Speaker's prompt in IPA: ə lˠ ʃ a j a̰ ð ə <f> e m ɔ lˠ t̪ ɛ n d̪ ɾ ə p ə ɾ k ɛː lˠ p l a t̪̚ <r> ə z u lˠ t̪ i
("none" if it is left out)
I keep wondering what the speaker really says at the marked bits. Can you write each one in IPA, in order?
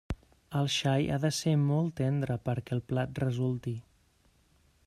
s, r

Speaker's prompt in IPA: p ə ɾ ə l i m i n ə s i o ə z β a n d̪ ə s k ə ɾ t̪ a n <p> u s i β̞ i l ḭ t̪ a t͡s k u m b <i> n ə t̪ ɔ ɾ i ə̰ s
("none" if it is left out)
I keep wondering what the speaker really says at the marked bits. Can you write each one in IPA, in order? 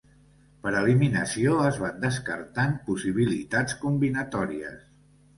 p, i

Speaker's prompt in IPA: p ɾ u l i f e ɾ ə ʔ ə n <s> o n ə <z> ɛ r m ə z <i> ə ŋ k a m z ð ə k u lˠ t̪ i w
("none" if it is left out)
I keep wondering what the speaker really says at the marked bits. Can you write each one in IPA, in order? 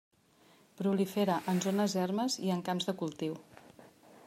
z, z, i

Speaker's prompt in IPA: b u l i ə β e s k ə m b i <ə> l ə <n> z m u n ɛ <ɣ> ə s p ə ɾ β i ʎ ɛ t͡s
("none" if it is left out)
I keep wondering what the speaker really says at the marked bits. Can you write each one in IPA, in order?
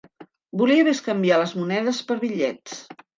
a, none, ð

